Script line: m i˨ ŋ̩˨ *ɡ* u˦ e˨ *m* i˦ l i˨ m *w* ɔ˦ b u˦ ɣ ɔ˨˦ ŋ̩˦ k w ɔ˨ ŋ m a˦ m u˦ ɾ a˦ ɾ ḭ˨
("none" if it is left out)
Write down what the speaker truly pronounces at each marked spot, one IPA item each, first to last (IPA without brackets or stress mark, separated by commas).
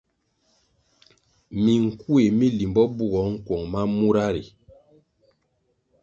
k, m, b